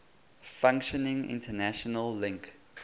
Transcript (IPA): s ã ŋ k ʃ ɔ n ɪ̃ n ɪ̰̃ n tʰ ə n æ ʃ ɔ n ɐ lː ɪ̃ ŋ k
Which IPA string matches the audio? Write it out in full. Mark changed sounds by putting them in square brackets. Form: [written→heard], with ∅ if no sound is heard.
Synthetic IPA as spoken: [s→f] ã ŋ k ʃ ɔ n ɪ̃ [n→ŋ] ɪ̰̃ n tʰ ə n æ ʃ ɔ n [ɐ→ə] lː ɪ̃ ŋ k